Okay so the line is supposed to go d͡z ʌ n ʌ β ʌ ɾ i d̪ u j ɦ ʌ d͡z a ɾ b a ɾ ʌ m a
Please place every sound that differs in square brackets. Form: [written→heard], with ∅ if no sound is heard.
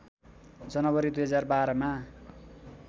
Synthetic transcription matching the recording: d͡z ʌ n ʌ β ʌ ɾ i d̪ u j ɦ ʌ d͡z a [ɾ→r] b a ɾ ʌ m a